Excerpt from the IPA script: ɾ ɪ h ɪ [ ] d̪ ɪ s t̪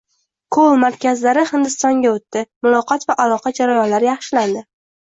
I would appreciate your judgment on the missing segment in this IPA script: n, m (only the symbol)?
n